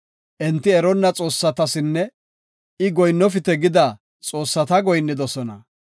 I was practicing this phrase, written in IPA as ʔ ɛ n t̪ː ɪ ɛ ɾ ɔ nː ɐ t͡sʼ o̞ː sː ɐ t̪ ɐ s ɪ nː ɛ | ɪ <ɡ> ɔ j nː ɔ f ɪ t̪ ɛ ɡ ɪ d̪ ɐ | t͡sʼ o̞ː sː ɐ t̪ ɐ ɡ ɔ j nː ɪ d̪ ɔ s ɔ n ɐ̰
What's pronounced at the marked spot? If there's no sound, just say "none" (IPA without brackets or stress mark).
ɡ